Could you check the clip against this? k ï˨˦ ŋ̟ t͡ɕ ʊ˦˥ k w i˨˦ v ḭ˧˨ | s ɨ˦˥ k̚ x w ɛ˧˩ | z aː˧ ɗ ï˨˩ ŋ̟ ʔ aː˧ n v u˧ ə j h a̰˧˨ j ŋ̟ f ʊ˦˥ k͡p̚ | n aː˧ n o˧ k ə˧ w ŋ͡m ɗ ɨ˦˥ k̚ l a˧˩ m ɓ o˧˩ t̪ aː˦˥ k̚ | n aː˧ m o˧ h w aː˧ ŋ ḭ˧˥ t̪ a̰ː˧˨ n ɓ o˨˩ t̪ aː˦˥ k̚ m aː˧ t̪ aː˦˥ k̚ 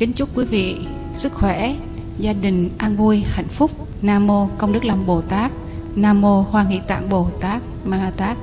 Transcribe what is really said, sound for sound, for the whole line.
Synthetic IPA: k ï˨˦ ŋ̟ t͡ɕ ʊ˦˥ k w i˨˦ v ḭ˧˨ | s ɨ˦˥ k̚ x w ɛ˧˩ | z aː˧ ɗ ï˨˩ ŋ̟ ʔ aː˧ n v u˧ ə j h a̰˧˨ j ŋ̟ f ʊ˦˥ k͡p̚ | n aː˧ m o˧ k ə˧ w ŋ͡m ɗ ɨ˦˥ k̚ l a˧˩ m ɓ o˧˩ t̪ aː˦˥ k̚ | n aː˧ m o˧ h w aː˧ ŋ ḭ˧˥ t̪ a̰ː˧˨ ŋ ɓ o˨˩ t̪ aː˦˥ k̚ m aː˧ t̪ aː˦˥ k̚